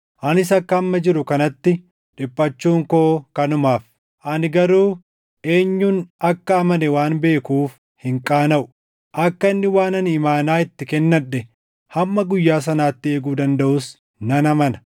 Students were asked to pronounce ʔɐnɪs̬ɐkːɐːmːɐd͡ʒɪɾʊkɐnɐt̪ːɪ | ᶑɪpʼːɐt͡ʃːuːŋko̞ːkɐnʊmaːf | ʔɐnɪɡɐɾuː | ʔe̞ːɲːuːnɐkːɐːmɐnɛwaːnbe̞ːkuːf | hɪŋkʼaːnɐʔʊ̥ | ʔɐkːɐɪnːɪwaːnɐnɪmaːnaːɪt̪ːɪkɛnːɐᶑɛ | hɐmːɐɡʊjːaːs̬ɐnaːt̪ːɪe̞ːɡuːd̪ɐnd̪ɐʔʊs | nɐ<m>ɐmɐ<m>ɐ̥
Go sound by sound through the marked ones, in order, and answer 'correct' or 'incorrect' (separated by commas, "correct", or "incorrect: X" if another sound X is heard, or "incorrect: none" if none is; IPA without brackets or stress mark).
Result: incorrect: n, incorrect: n